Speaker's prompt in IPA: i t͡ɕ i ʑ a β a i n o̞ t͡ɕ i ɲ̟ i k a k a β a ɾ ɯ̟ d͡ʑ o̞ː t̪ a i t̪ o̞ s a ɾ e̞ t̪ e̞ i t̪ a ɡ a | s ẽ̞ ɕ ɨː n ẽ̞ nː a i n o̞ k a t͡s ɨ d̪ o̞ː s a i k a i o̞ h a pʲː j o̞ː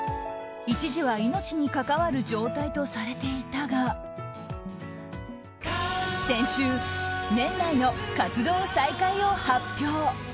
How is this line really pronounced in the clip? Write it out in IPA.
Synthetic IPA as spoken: i t͡ɕ i ʑ i β a i n o̞ t͡ɕ i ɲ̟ i k a k a β a ɾ ɯ̟ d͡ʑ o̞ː t̪ a i t̪ o̞ s a ɾ e̞ t̪ e̞ i t̪ a ɡ a | s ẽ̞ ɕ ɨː n ẽ̞ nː a i n o̞ k a t͡s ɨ d̪ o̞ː s a i k a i o̞ h a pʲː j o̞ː